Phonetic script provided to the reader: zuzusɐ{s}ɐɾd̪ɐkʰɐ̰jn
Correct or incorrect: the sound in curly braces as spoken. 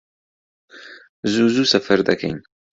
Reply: incorrect: f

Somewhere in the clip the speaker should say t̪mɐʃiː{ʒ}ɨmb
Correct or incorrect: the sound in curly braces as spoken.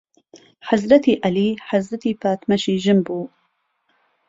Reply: correct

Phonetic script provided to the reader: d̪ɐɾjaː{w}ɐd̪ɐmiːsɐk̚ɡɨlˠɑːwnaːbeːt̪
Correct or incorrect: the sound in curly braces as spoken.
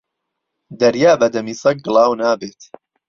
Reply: incorrect: b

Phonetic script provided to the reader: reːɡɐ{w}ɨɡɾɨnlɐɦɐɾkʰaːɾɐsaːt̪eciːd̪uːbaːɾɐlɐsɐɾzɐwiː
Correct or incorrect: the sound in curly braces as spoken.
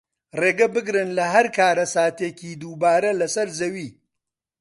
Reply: incorrect: b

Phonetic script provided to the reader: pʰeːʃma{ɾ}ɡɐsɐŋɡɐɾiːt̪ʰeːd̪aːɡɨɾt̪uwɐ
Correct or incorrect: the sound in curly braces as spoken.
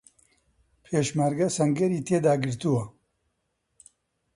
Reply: correct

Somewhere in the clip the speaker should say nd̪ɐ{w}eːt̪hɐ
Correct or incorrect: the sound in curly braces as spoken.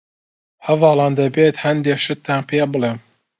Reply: incorrect: b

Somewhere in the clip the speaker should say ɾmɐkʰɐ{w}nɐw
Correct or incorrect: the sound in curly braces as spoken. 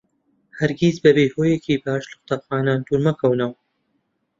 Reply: correct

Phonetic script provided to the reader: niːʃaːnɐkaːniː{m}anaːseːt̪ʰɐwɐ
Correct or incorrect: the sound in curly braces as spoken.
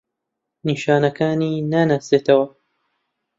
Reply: incorrect: n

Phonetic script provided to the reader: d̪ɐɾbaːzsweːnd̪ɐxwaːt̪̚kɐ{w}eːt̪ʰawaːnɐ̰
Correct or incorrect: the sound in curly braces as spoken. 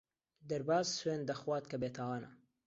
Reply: incorrect: b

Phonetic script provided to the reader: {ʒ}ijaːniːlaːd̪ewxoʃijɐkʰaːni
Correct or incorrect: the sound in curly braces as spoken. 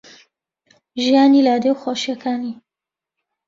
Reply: correct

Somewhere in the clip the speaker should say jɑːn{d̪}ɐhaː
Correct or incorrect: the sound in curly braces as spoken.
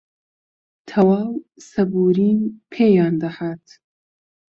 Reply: correct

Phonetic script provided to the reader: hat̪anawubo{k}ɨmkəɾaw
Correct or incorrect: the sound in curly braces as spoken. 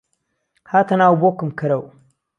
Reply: correct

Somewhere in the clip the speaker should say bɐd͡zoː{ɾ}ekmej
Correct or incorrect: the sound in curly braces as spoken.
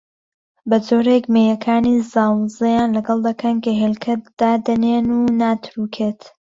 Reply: correct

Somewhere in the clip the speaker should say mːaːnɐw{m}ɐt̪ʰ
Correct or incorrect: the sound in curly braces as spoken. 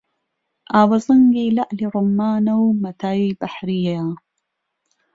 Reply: correct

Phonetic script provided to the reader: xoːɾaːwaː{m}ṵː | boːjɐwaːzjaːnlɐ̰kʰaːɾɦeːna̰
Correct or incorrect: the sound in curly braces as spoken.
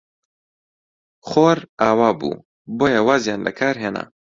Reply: incorrect: b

